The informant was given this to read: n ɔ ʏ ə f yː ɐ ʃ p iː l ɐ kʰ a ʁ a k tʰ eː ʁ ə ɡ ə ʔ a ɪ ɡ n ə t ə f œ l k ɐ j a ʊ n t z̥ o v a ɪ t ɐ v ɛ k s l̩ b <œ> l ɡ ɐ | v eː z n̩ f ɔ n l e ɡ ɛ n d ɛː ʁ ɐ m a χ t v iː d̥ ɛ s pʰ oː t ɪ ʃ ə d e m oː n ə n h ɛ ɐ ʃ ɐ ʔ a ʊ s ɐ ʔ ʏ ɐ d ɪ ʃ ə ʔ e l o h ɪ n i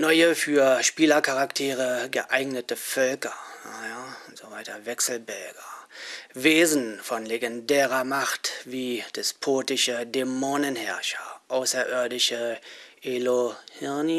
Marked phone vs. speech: incorrect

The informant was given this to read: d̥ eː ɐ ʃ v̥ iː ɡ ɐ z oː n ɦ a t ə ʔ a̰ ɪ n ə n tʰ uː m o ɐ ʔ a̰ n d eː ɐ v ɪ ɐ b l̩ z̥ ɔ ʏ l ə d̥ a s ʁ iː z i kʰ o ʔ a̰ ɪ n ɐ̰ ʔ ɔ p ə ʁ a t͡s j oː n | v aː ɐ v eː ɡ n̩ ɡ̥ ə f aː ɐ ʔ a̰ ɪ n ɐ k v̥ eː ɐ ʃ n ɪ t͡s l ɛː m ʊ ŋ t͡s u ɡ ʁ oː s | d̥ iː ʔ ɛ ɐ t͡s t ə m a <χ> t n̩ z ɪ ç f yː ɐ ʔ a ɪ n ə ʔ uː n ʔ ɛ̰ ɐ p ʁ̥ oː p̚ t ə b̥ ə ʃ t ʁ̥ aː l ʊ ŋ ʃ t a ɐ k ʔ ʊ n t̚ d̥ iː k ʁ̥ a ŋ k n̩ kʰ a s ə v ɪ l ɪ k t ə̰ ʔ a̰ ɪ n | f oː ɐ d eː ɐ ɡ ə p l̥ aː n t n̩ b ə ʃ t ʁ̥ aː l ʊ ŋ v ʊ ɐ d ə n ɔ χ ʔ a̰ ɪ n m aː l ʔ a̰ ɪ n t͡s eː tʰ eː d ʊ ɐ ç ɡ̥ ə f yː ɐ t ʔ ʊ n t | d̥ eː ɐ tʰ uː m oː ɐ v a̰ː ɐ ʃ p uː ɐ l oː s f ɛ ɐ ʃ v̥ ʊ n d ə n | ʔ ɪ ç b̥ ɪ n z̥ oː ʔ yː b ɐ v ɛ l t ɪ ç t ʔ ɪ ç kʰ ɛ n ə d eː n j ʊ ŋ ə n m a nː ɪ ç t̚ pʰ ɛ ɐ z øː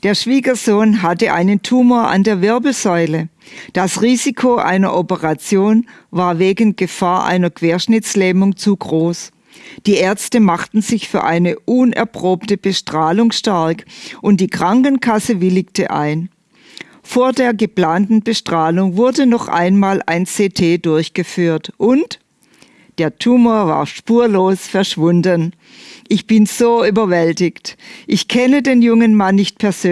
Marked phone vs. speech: correct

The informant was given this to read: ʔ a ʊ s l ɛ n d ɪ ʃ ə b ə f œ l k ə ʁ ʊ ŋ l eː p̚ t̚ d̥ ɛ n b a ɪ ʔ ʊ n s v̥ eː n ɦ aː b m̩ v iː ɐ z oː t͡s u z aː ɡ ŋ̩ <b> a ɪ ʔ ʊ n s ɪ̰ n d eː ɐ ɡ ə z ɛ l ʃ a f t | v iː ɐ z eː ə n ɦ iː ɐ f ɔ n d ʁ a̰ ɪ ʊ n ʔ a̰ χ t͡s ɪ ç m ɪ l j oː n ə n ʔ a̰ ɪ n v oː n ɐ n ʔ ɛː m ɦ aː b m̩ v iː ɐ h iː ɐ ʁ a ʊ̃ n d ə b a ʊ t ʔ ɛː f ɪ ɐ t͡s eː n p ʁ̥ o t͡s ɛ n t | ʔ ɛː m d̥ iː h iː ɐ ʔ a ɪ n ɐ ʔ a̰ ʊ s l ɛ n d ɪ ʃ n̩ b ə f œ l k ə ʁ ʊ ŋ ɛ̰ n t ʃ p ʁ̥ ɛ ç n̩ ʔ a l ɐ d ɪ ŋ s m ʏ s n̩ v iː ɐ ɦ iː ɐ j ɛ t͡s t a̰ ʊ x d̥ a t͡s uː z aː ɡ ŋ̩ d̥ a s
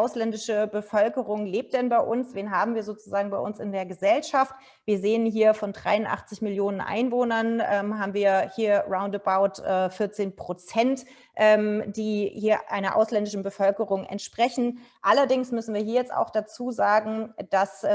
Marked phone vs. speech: correct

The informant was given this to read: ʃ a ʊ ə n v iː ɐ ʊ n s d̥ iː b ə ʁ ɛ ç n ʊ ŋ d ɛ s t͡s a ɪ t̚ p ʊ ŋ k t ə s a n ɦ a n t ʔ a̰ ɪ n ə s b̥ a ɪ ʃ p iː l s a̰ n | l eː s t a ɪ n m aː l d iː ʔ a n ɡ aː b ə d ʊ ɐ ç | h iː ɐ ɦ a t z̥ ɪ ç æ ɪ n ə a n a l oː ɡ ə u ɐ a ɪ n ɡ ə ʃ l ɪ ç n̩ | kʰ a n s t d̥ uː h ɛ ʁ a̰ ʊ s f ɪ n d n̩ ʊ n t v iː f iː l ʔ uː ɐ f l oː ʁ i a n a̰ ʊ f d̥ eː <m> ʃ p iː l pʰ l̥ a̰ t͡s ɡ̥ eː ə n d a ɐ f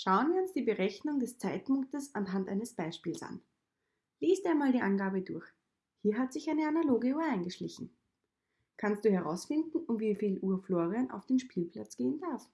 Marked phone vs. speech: incorrect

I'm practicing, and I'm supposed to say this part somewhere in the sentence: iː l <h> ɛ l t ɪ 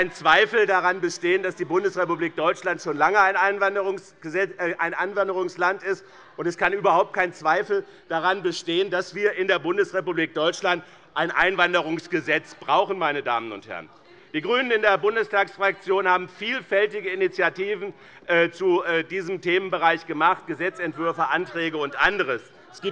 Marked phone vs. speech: incorrect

